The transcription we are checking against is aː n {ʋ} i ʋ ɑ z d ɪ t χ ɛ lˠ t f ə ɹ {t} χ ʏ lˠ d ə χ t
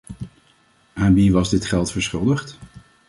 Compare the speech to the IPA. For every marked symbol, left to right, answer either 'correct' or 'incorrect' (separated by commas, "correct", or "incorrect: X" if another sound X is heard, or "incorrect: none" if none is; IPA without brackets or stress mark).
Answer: correct, incorrect: s